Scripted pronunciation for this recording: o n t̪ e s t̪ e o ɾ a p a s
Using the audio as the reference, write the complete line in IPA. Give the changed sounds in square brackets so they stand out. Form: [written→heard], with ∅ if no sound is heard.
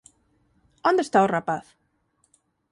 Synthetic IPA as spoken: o n [t̪→d̪] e s t̪ [e→a] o [ɾ→r] a p a [s→θ]